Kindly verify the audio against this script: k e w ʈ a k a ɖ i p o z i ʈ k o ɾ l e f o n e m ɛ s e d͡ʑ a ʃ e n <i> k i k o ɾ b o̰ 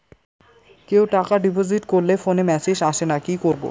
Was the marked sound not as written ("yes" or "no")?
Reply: yes